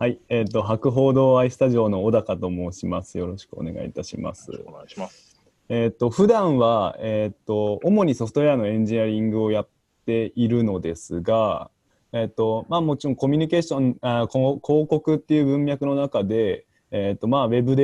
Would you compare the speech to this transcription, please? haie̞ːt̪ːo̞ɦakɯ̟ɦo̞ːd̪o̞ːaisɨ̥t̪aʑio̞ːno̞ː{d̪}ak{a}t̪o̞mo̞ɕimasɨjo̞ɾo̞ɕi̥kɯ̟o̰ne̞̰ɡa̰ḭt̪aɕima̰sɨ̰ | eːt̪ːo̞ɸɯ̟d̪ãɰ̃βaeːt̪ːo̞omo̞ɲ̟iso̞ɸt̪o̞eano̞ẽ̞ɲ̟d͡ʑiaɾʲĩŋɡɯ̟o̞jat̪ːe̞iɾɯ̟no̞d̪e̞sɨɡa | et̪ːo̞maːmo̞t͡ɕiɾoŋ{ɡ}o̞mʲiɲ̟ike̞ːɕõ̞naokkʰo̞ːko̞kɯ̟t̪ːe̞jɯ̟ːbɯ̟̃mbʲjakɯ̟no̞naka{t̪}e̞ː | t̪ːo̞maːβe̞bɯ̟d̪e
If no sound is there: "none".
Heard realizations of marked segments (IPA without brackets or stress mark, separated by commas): d̪, a, k, d̪